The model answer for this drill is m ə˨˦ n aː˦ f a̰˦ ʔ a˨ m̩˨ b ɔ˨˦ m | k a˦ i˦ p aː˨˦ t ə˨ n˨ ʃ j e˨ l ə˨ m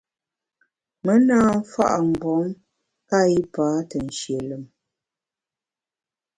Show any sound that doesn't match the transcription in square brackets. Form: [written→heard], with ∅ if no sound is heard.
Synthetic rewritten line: m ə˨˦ n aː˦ f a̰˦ ʔ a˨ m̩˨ b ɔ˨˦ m | k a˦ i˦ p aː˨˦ t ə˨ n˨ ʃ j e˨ l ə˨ m